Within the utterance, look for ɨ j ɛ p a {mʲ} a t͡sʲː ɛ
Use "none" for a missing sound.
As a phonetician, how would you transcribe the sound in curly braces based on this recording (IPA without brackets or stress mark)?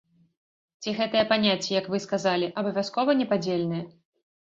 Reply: nʲ